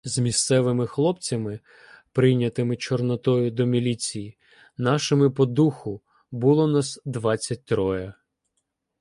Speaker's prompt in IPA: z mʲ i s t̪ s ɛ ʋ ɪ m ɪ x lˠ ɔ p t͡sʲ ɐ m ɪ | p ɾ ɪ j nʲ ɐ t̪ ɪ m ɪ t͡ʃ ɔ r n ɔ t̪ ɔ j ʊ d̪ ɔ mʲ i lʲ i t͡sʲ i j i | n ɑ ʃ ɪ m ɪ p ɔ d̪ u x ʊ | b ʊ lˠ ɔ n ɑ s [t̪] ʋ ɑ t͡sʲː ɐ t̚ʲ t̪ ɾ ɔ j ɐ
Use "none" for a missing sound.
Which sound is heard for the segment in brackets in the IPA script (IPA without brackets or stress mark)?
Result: d̪